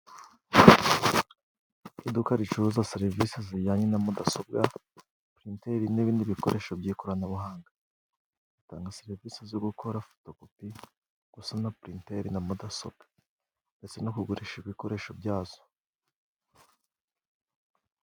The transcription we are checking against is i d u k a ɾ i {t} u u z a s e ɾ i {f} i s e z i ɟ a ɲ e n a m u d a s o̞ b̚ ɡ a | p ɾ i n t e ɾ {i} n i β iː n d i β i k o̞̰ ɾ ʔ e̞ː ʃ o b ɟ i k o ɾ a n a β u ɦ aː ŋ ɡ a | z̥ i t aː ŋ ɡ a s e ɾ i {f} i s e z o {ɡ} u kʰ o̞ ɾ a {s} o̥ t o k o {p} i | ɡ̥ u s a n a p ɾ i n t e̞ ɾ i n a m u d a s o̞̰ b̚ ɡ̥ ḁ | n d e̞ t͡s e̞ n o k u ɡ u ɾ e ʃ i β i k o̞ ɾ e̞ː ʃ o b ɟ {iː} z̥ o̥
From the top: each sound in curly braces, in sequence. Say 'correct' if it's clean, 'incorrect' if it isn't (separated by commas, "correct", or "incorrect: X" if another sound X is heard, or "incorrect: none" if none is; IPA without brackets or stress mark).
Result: incorrect: t͡ʃ, incorrect: v, correct, incorrect: v, correct, incorrect: f, correct, incorrect: aː